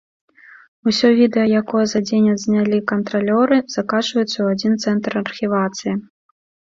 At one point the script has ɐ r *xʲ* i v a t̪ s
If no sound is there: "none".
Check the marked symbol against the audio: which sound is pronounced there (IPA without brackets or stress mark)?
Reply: xʲ